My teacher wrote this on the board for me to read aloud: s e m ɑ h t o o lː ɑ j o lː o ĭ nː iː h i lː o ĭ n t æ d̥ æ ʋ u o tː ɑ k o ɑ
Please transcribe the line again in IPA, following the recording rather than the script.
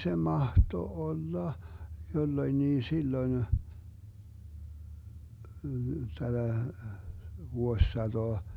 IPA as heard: s e m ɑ h t o o lː ɑ j o lː o ĭ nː iː s i lː o ĭ n t æ d̥ æ ʋ u o sː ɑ t o ɑ